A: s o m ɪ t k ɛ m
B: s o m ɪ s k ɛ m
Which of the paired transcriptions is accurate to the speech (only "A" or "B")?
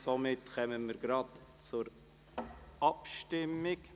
A